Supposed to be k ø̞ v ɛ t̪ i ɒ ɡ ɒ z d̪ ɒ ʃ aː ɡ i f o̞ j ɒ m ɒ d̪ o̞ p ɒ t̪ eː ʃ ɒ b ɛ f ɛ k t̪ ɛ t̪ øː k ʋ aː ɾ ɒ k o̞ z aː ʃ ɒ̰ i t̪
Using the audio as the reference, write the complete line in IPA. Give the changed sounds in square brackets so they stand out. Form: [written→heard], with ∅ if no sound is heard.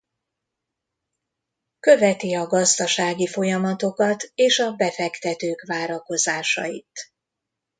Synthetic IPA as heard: k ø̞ v ɛ t̪ i ɒ ɡ ɒ z d̪ ɒ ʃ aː ɡ i f o̞ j ɒ m ɒ [d̪→t̪] o̞ [p→k] ɒ t̪ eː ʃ ɒ b ɛ f ɛ k t̪ ɛ t̪ øː k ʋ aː ɾ ɒ k o̞ z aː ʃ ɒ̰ i t̪